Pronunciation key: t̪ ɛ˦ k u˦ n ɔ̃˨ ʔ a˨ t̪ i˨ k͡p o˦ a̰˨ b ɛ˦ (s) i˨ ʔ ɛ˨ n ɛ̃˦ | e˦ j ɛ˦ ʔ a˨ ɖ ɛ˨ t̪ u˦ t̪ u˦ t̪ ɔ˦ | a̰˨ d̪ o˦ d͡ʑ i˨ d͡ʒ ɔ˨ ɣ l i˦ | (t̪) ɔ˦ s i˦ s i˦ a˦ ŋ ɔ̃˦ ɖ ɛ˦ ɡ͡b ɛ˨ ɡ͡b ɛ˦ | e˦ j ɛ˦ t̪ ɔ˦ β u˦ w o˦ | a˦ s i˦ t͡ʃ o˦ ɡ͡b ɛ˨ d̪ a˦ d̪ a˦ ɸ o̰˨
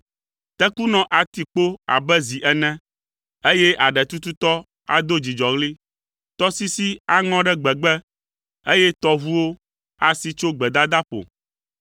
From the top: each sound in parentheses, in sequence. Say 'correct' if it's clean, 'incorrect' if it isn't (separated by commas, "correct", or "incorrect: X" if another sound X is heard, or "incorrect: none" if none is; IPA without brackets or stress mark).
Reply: incorrect: z, correct